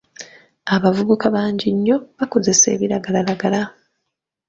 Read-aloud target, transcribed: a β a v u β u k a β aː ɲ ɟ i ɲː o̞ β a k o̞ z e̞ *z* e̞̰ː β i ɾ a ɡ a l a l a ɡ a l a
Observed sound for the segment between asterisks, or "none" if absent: s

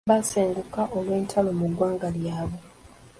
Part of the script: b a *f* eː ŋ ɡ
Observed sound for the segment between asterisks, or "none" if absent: s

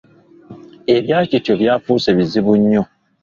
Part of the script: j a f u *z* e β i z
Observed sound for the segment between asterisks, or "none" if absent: s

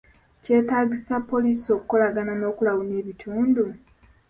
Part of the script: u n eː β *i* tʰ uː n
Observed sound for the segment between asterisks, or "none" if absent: i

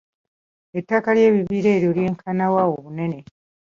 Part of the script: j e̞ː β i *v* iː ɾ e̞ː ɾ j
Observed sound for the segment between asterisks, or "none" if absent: β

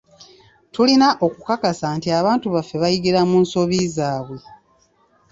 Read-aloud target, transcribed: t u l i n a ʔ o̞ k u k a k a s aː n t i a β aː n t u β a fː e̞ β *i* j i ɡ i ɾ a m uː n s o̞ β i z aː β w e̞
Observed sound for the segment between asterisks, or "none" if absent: a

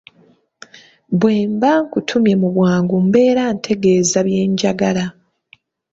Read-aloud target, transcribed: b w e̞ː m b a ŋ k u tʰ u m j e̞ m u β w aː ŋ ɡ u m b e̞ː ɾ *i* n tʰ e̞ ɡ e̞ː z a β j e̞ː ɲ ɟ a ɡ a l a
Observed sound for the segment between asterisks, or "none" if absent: a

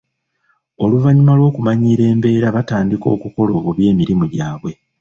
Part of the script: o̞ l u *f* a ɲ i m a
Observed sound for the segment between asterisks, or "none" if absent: v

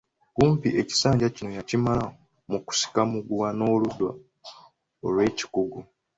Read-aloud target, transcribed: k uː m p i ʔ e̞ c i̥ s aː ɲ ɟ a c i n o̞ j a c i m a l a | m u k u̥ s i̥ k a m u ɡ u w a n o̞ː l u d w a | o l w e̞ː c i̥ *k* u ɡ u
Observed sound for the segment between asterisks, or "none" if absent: k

